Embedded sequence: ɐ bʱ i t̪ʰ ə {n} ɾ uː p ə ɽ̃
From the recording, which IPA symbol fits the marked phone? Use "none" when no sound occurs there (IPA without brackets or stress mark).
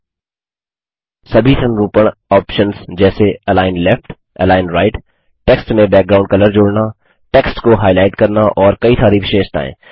n